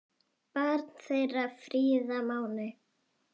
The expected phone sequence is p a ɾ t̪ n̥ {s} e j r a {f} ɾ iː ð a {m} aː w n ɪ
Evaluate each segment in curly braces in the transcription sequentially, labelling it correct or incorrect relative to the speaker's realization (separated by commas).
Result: incorrect, correct, correct